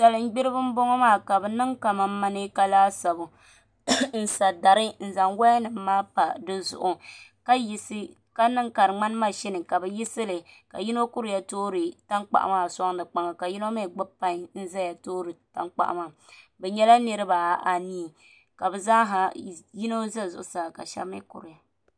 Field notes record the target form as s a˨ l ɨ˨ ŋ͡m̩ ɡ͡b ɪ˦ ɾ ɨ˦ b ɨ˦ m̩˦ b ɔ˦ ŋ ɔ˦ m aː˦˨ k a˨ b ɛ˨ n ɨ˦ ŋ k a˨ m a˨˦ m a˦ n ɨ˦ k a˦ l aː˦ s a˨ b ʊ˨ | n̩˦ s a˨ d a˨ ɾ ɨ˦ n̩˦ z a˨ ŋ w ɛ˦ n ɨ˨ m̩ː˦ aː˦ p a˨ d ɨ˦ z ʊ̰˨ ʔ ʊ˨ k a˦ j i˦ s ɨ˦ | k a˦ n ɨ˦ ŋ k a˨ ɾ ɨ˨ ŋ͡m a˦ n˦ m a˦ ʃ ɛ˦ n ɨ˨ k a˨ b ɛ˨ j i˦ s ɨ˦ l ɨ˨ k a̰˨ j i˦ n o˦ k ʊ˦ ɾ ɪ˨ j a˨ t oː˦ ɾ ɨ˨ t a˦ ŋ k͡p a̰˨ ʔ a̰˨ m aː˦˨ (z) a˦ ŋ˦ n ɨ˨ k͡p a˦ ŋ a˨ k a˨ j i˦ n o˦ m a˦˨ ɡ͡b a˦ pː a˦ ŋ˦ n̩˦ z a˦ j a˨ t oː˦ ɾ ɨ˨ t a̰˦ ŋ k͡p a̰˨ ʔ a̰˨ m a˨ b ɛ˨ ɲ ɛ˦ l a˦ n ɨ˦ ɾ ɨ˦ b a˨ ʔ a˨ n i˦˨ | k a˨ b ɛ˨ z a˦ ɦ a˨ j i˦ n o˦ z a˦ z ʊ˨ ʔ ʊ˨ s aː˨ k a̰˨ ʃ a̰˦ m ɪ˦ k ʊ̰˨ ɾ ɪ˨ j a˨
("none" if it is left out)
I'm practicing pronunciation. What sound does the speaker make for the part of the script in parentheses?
s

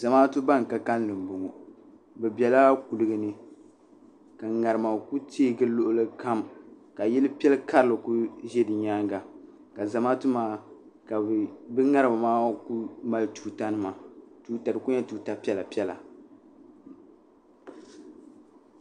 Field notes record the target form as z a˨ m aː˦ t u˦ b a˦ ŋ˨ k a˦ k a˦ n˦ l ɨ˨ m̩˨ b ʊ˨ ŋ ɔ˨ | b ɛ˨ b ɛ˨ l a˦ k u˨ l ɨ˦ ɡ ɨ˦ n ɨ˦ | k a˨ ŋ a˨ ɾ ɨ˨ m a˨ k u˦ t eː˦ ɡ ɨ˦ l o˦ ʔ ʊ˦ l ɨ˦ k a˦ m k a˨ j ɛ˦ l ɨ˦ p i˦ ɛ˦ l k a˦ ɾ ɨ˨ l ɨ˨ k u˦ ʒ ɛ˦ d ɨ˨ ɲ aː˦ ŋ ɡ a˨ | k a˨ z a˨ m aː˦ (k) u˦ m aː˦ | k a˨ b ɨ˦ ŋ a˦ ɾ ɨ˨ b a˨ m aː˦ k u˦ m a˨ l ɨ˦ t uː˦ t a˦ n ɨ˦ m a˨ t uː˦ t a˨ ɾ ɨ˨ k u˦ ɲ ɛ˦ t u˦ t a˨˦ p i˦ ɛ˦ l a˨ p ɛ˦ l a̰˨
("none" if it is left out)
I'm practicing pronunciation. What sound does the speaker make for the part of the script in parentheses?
t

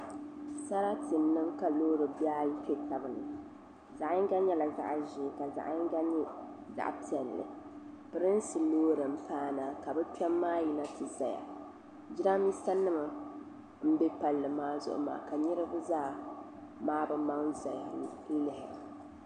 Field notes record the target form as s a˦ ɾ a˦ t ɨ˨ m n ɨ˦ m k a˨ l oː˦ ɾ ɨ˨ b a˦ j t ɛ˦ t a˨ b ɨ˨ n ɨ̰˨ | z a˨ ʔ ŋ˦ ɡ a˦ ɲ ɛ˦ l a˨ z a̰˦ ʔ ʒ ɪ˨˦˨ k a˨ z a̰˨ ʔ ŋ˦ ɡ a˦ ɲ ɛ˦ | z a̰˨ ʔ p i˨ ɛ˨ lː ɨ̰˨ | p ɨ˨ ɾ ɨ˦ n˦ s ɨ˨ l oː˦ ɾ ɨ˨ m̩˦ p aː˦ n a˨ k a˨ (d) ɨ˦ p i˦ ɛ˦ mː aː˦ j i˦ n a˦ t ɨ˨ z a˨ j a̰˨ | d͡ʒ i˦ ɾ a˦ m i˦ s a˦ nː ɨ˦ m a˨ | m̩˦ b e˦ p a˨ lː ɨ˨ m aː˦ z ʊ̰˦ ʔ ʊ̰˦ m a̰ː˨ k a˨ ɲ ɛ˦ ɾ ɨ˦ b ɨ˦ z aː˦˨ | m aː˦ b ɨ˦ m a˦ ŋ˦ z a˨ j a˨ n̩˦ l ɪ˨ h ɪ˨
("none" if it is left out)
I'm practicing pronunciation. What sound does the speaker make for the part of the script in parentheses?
b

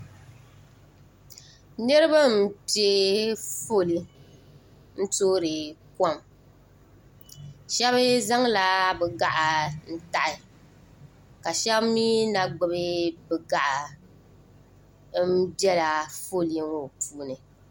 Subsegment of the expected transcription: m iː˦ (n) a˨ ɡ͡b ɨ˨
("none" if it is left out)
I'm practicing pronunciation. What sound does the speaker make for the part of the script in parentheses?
n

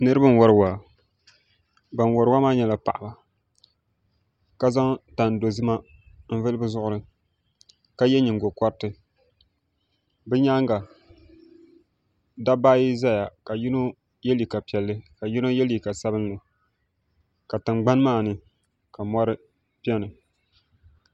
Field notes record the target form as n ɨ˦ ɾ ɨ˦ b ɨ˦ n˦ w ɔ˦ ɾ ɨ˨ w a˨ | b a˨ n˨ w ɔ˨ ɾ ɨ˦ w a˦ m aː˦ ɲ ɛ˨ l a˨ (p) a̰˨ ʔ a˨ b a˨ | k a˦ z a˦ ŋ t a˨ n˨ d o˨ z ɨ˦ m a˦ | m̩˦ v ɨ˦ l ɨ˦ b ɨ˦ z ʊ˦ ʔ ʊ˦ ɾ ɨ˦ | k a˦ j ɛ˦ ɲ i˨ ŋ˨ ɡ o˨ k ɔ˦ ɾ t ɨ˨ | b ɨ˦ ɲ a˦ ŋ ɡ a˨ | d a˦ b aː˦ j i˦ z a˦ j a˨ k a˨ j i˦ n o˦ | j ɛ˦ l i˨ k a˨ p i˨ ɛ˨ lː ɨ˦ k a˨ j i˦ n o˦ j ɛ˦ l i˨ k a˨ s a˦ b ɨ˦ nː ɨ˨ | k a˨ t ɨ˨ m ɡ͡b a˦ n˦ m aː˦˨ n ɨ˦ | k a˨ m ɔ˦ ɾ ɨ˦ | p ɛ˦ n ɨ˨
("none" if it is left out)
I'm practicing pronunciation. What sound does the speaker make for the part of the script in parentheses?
p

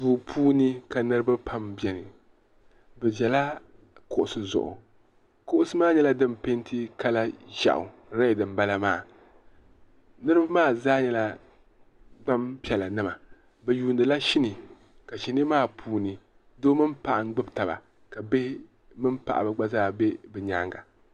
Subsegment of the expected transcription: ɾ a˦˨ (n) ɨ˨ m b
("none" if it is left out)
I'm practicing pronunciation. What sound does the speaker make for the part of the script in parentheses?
d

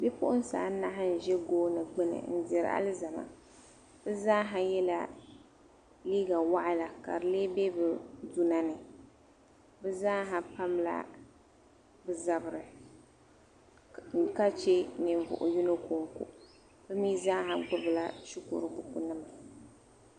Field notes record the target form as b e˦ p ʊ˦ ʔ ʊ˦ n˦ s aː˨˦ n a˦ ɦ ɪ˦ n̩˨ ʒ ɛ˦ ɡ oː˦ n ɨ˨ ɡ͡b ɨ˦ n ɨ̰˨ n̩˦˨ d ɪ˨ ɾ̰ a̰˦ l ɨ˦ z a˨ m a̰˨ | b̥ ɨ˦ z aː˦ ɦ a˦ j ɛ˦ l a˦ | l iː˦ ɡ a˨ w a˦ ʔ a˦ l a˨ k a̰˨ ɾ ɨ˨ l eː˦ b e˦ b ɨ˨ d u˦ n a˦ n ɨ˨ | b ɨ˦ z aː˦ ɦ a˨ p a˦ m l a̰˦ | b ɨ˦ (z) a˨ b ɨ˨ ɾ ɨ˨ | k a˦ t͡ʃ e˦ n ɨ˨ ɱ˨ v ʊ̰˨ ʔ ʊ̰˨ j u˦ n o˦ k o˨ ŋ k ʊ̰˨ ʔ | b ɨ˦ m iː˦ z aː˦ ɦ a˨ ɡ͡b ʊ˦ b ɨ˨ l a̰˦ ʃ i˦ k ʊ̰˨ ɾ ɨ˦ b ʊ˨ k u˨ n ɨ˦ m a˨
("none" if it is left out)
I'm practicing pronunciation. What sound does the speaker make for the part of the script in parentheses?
z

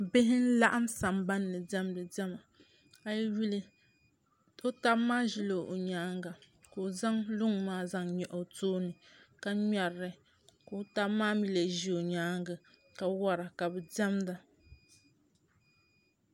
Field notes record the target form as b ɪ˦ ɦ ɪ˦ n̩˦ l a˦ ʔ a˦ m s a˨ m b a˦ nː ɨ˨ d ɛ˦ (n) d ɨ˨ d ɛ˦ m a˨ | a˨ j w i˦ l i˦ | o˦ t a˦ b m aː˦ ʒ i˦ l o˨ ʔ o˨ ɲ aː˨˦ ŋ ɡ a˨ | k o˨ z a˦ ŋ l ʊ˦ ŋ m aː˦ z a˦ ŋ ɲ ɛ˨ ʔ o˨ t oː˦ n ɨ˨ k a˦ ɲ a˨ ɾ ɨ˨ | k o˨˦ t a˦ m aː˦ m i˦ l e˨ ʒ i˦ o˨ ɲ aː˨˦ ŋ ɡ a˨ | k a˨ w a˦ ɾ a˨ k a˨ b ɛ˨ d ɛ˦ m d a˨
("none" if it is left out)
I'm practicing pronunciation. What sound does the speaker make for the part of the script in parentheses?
m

